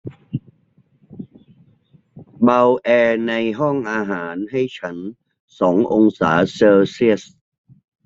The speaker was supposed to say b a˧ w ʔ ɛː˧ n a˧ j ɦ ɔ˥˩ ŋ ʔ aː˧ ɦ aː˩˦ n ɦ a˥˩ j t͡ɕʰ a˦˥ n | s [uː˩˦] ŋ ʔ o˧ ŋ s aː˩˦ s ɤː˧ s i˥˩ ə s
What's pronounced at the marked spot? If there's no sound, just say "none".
ɔː˩˦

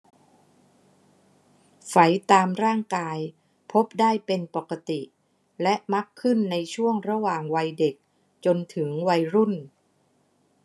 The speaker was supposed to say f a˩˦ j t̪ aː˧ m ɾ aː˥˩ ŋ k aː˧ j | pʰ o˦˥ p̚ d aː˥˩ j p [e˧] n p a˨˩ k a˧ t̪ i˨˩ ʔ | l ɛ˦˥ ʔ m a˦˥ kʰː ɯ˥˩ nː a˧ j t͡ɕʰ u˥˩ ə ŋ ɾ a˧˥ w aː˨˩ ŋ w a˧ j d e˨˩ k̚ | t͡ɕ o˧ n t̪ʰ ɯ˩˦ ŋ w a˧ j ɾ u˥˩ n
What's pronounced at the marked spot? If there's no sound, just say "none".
e˧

